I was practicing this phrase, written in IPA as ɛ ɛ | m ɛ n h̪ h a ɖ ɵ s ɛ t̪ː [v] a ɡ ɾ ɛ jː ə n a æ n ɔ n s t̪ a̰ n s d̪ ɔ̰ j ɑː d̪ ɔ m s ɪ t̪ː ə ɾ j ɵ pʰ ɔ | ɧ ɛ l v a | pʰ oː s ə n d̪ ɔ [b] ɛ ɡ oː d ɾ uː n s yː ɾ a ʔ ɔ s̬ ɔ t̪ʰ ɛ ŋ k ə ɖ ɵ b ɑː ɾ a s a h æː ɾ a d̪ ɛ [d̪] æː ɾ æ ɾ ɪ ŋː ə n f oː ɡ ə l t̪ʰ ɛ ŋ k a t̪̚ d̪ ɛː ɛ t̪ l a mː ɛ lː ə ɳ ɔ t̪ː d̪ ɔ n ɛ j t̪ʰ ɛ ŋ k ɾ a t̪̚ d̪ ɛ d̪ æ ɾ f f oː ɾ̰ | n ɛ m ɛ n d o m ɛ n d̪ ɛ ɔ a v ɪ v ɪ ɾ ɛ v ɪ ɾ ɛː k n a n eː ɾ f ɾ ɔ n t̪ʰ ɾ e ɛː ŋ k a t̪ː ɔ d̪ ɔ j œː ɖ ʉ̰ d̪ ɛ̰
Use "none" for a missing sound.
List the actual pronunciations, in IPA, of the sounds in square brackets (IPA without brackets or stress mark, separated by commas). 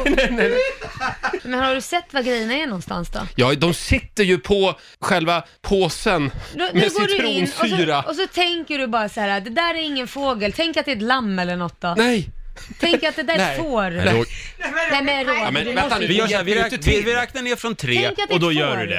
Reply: v, m, d̪